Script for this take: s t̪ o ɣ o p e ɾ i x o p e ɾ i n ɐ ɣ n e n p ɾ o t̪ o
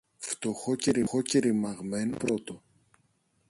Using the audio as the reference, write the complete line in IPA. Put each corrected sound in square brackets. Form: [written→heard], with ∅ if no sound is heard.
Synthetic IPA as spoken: [s→f] t̪ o [ɣ→x] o [p→c] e ɾ i x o [p→c] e ɾ i [n→m] ɐ ɣ [n→m] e n p ɾ o t̪ o